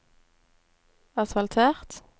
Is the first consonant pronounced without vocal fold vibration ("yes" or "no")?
yes